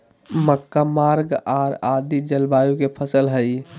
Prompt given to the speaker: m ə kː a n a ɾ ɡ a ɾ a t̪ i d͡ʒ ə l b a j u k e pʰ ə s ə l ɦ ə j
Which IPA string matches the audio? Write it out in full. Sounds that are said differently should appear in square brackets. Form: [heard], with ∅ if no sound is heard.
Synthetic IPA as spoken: m ə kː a [m] a ɾ ɡ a ɾ a [d̪] i d͡ʒ ə l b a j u k e pʰ ə s ə l ɦ ə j